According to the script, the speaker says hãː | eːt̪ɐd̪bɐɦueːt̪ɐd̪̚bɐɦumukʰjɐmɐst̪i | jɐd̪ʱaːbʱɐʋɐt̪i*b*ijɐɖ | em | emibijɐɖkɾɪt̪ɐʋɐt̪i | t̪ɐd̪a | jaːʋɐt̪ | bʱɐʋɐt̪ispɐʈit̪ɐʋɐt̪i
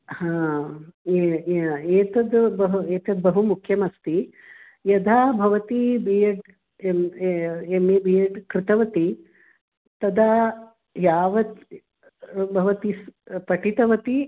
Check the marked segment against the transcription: correct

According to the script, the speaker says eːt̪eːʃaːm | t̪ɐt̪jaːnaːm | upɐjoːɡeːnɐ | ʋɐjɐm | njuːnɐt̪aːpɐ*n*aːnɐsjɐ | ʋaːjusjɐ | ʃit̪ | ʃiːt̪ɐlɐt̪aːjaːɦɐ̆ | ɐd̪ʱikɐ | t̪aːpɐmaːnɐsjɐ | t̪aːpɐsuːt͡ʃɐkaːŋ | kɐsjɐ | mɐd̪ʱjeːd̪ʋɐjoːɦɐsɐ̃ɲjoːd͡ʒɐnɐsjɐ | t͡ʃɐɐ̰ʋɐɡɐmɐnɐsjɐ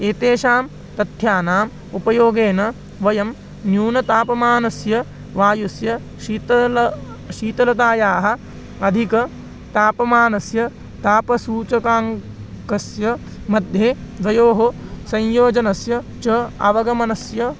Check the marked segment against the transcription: incorrect: m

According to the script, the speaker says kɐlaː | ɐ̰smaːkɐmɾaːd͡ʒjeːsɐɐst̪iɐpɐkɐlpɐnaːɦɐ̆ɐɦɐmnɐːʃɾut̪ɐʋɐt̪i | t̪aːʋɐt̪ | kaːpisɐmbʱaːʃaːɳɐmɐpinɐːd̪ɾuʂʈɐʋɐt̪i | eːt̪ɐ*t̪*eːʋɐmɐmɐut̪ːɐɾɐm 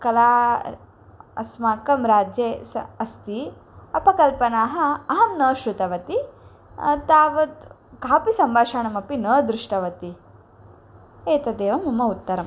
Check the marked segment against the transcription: incorrect: d̪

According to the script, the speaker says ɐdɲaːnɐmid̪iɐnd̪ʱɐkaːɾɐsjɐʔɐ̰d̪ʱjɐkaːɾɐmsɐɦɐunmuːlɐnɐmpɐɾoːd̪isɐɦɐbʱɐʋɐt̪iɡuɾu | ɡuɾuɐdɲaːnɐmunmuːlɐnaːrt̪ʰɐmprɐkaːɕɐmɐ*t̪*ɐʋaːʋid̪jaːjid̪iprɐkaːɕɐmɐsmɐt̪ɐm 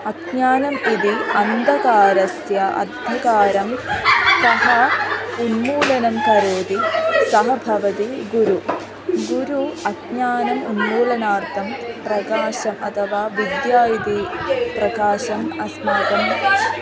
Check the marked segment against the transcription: incorrect: t̪ʰ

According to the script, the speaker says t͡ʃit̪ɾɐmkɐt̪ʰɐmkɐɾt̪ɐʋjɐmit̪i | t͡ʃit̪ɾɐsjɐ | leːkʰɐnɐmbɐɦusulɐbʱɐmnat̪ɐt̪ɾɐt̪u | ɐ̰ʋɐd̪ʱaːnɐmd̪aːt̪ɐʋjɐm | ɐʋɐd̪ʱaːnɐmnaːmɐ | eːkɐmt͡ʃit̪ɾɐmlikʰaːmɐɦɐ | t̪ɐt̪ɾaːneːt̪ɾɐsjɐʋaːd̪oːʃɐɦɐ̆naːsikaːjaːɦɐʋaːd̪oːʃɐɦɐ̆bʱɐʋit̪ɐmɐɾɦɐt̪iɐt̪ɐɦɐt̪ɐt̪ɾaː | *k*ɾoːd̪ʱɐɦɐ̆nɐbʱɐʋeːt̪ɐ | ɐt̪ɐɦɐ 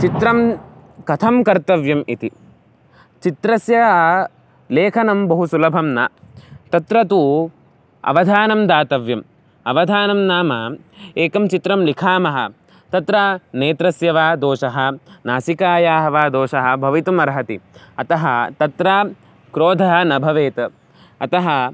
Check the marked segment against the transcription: correct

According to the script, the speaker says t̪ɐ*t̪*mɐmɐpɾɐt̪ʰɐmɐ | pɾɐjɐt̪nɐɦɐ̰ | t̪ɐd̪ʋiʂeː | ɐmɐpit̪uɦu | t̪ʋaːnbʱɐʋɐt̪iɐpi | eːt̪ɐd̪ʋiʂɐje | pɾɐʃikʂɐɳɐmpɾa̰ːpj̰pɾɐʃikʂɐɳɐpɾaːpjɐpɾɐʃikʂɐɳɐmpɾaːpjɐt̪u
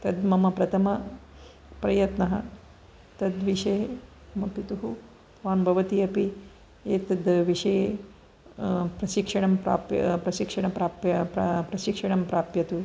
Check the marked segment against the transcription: incorrect: d̪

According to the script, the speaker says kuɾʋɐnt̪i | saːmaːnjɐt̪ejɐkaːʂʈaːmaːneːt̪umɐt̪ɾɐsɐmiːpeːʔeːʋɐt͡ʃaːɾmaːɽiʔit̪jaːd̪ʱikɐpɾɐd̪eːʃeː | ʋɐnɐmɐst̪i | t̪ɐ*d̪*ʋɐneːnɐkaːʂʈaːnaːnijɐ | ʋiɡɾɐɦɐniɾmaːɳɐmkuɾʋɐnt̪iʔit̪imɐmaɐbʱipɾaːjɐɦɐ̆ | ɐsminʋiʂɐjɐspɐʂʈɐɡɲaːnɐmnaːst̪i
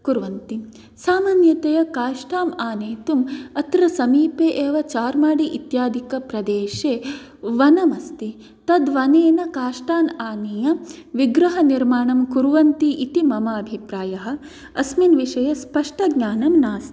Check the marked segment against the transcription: correct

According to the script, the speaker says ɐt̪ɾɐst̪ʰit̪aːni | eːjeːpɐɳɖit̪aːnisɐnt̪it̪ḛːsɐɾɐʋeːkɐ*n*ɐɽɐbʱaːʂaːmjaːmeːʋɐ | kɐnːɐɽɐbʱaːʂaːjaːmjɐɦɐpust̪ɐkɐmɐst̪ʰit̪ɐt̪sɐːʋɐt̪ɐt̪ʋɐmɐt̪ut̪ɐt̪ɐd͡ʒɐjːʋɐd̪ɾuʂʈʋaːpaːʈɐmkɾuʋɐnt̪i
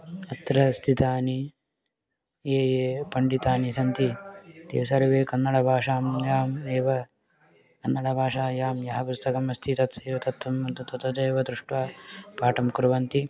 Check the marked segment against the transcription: incorrect: nː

